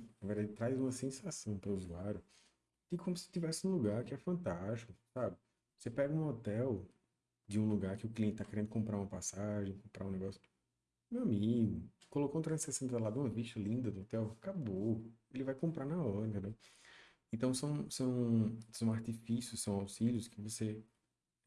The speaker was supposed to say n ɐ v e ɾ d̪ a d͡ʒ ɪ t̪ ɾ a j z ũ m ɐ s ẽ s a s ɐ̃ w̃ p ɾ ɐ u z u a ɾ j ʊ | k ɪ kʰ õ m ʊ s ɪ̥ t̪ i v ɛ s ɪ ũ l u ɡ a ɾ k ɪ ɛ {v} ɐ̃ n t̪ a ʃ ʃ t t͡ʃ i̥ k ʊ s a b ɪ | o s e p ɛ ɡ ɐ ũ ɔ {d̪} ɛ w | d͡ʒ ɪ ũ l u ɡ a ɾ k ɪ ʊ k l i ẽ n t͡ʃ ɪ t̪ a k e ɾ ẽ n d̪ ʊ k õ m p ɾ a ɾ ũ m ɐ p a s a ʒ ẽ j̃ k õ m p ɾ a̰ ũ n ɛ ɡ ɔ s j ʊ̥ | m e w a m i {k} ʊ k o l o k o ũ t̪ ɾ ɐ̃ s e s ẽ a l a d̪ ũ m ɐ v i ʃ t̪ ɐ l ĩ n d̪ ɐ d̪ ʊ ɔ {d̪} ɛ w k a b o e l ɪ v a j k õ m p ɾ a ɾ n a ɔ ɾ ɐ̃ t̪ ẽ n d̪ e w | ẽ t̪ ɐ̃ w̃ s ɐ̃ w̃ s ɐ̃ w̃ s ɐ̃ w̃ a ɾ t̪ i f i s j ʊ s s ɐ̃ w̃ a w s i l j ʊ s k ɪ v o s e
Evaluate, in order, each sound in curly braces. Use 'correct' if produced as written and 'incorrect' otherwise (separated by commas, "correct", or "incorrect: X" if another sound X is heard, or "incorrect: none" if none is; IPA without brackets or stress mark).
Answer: incorrect: f, incorrect: t̪, incorrect: ɡ, incorrect: t̪